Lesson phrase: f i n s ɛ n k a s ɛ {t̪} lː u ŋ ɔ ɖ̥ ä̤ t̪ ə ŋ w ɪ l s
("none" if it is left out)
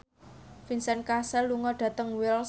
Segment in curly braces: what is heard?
none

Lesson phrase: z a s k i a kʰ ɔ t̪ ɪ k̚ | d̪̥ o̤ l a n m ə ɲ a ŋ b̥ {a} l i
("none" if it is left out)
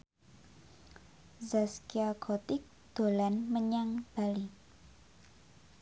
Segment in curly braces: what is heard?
a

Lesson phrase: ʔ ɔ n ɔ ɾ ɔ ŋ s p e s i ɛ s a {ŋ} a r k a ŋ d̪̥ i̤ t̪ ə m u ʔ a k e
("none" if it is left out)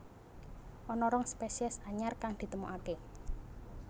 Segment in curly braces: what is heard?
ɲ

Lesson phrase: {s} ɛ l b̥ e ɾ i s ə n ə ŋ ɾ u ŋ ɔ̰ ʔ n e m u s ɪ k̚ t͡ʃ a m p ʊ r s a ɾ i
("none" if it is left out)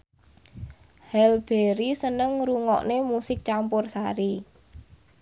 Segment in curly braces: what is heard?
h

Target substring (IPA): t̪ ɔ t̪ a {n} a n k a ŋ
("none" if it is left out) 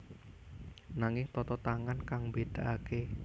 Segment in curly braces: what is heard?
ŋ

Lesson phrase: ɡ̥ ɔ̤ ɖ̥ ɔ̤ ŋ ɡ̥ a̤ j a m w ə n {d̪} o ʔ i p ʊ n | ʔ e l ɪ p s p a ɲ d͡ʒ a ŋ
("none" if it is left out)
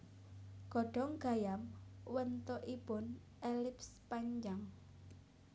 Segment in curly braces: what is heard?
t̪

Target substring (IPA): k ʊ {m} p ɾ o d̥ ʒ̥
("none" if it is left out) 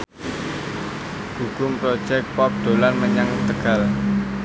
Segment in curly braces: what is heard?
m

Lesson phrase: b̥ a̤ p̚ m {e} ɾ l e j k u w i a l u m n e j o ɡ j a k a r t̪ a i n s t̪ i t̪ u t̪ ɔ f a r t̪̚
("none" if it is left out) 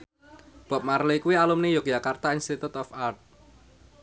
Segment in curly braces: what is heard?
a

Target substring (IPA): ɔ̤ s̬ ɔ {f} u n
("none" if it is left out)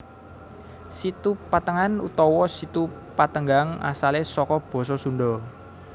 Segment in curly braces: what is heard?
s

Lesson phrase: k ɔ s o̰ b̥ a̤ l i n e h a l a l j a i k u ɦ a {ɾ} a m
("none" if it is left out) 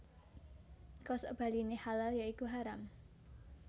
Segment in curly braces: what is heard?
ɾ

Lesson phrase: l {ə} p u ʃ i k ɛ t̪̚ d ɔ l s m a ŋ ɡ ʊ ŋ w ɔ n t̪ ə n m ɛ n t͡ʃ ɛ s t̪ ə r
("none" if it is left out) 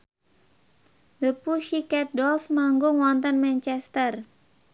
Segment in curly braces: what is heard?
ə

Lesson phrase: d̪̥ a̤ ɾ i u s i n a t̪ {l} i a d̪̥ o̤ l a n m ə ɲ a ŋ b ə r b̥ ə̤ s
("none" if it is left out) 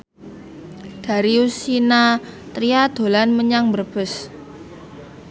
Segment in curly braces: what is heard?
ɾ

